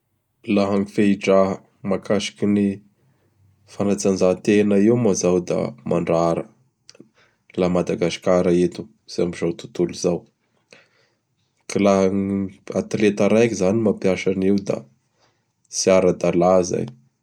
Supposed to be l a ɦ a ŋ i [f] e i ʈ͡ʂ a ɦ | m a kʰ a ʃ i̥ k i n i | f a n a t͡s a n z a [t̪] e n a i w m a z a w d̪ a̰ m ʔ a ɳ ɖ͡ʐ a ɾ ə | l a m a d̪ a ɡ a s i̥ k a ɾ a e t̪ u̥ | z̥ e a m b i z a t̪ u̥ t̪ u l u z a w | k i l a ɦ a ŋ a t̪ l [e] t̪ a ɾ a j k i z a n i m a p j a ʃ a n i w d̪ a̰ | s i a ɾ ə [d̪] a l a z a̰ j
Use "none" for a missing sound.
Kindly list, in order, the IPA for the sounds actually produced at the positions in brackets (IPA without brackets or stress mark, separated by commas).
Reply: f, t̪, e, d̪